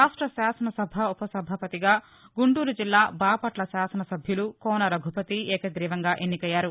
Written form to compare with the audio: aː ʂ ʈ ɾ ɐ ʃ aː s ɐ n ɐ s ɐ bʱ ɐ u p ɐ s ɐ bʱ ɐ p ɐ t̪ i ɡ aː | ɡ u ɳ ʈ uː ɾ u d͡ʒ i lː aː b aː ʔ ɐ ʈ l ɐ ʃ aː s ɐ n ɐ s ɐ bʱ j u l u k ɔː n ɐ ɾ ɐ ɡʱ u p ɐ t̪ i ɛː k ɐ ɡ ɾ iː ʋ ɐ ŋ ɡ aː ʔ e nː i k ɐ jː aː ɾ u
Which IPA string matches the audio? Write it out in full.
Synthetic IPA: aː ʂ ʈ ɾ ɐ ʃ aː s ɐ n ɐ s ɐ bʱ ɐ u p ɐ s ɐ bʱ ɐ p ɐ t̪ i ɡ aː | ɡ u ɳ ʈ uː ɾ u d͡ʒ i lː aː b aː p ɐ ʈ l ɐ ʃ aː s ɐ n ɐ s ɐ bʱ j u l u k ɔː n ɐ ɾ ɐ ɡʱ u p ɐ t̪ i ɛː k ɐ ɡ ɾ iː ʋ ɐ ŋ ɡ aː ʔ e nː i k ɐ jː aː ɾ u